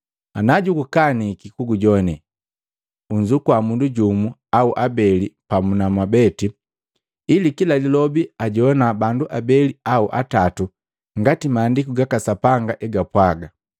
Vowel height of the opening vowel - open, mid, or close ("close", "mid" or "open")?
open